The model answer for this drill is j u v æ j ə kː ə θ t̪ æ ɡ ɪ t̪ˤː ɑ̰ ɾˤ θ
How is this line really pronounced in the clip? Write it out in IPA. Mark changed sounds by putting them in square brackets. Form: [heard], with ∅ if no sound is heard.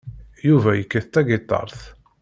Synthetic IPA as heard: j u v æ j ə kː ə θ t̪ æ ɡ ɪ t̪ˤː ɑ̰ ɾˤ θ